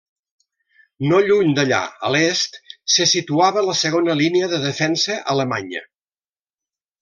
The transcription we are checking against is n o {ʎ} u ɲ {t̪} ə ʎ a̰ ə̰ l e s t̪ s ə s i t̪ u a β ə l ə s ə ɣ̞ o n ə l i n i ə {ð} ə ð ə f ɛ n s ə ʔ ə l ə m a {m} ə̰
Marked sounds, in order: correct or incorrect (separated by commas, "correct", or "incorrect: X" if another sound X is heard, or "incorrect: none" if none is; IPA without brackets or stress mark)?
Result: correct, incorrect: d̪, correct, incorrect: ɲ